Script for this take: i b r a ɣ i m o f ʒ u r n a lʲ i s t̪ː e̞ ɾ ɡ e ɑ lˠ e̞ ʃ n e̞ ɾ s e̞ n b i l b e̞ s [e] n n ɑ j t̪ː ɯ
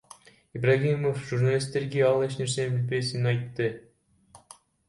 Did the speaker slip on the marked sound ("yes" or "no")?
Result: yes